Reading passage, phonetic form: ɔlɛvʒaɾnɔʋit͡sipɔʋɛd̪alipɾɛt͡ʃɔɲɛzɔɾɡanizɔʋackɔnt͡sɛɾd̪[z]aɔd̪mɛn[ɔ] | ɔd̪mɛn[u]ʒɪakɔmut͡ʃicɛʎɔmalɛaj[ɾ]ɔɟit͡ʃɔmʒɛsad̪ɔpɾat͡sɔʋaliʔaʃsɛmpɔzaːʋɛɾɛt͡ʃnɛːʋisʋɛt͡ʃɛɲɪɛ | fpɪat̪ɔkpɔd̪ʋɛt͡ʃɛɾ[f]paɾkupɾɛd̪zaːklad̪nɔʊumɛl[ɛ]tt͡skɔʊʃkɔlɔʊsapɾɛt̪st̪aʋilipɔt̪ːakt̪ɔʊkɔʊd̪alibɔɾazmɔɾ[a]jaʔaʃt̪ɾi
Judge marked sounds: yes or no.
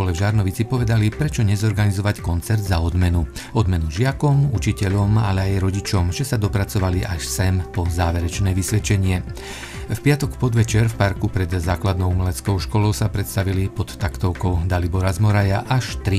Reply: yes, no, yes, yes, yes, yes, yes

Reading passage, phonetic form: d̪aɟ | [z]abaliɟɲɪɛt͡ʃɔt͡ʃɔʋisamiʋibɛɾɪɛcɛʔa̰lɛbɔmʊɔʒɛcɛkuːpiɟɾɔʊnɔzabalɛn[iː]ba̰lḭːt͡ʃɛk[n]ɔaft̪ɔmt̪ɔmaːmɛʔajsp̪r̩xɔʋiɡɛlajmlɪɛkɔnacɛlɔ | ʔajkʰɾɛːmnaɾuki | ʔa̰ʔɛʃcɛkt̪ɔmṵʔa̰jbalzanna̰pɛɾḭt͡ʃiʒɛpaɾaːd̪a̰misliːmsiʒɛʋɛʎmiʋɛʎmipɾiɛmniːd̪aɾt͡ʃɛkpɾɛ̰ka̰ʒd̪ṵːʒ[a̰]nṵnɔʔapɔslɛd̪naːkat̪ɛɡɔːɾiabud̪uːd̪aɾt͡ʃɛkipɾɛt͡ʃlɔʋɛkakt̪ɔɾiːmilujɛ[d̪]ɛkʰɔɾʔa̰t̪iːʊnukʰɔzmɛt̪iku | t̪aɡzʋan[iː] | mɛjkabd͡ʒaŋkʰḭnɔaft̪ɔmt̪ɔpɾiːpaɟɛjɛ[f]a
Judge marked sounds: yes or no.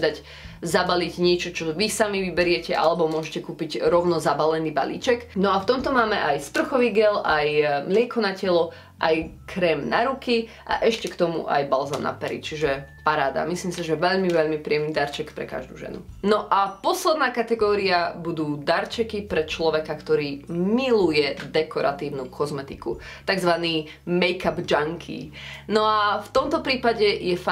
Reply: yes, yes, yes, no, yes, yes, yes

